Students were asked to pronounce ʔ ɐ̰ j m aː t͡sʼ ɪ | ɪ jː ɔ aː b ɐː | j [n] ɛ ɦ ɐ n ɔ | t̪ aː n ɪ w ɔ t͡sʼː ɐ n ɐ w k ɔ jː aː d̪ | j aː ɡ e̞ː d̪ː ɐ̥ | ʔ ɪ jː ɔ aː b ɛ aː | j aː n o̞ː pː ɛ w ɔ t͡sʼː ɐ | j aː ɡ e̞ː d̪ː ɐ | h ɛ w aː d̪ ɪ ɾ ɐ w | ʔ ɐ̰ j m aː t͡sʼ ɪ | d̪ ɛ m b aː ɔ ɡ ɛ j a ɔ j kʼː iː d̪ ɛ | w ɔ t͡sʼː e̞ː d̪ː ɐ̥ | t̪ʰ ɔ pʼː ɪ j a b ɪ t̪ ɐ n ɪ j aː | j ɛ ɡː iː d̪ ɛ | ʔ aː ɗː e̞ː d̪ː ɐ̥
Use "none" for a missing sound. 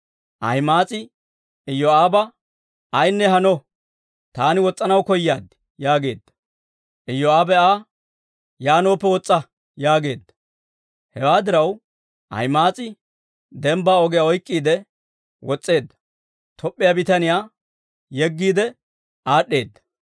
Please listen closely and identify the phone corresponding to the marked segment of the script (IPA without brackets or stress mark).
nː